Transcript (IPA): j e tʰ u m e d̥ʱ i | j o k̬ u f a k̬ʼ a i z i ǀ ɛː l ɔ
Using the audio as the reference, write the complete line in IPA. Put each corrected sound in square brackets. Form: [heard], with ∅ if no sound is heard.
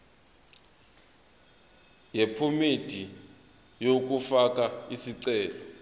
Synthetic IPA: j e [pʰ] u m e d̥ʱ i | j o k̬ u f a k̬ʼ a i [s] i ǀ ɛː l ɔ